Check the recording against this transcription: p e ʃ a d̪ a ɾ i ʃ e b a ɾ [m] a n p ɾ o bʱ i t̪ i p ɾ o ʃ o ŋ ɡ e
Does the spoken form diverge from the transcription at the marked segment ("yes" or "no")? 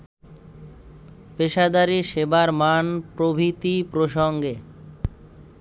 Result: no